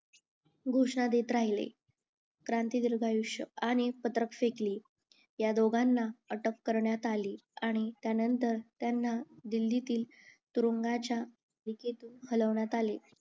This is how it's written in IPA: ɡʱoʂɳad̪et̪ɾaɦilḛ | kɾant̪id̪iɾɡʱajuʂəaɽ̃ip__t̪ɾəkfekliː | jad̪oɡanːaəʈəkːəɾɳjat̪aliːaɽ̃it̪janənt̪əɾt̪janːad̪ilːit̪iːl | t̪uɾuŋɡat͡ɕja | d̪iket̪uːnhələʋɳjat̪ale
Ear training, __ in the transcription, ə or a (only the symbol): ə